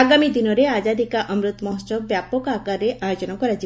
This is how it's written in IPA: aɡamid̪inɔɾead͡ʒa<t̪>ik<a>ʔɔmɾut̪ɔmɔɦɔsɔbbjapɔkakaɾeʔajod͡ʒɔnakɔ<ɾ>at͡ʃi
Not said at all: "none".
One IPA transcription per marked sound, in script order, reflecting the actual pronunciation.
d̪, a, ɾ

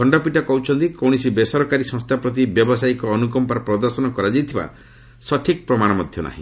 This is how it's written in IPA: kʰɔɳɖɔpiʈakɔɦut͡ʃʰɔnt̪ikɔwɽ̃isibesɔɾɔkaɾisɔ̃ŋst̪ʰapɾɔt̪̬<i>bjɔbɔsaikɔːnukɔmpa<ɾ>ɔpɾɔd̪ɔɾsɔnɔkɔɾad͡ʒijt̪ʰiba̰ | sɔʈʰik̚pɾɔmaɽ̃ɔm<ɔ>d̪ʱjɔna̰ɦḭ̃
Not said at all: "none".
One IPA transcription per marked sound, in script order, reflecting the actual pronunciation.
i, ɾ, ɔ

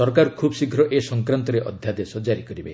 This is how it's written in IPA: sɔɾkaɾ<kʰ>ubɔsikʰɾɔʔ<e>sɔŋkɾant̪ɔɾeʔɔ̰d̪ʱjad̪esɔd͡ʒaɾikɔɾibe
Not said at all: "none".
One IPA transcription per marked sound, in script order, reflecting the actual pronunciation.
kʰ, e

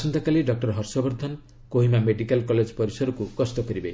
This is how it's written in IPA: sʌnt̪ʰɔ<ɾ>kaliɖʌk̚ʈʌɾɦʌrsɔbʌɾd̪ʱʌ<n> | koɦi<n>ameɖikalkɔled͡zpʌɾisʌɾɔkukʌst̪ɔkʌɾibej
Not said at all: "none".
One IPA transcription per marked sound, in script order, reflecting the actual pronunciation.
none, n, m

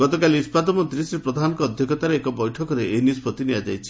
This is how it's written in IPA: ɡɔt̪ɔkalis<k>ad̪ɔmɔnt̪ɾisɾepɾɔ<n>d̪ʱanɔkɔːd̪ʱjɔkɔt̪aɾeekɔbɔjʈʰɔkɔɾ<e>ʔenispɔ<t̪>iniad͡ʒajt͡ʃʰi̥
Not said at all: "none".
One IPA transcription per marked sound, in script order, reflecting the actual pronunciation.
p, none, e, t̪

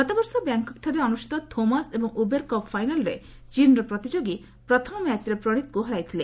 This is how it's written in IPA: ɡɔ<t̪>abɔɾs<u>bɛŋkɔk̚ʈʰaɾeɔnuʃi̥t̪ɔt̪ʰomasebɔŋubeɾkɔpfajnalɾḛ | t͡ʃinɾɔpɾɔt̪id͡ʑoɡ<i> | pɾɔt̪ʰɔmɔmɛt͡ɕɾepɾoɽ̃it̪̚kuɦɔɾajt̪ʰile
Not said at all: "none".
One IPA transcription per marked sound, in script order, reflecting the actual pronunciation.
t̪, ɔ, i

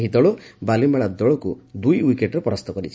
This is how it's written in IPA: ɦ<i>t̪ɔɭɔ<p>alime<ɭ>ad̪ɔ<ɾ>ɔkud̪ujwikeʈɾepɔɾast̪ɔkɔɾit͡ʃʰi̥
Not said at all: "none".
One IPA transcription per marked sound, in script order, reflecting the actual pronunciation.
i, b, ɭ, ɭ

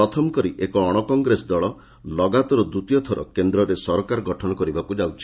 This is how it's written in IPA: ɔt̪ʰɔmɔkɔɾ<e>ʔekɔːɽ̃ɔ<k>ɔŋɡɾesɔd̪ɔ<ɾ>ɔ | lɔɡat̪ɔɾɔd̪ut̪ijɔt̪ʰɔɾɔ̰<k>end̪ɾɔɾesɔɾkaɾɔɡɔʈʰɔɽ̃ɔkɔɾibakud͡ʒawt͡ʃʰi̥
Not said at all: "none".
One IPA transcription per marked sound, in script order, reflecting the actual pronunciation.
i, k, ɭ, k

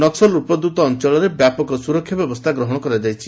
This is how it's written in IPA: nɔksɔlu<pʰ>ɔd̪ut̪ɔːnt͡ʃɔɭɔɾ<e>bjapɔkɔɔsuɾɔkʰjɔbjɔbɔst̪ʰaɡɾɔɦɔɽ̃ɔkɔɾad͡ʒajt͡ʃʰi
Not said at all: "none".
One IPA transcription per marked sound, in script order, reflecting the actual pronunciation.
p, e

